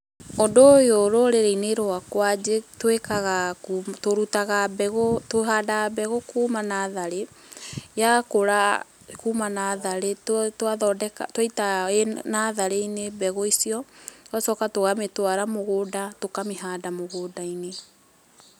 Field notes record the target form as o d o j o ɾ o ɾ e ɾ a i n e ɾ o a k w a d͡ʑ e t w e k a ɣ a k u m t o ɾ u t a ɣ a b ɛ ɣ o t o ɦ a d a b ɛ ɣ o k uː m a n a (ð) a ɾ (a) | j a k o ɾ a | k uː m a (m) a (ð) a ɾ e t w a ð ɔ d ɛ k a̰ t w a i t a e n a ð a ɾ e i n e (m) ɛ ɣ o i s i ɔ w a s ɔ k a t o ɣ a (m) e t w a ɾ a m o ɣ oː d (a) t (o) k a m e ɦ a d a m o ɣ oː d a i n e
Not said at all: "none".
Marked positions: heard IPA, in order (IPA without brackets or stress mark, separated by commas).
ð, e, n, ð, b, m, a, o